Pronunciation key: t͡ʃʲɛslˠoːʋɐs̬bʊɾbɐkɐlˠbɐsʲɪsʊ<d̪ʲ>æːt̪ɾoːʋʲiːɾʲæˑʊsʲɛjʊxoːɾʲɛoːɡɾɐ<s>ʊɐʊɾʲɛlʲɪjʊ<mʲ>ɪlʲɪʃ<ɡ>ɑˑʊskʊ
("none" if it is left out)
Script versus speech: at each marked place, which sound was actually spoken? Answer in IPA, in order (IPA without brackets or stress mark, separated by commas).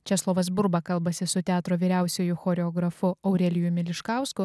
t̪ʲ, f, mʲ, k